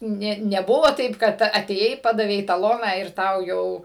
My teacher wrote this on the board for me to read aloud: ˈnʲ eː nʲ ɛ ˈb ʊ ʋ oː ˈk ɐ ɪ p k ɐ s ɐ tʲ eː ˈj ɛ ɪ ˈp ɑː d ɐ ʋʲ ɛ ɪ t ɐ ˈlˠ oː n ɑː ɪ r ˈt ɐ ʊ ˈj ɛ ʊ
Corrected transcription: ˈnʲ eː nʲ ɛ ˈb ʊ ʋ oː ˈt ɐ ɪ p k ɐ t ɐ tʲ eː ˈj ɛ ɪ ˈp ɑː d ɐ ʋʲ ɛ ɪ t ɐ ˈlˠ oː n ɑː ɪ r ˈt ɐ ʊ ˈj ɛ ʊ